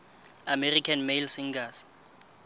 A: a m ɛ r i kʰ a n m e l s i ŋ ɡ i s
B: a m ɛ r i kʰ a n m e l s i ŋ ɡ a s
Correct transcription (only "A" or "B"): B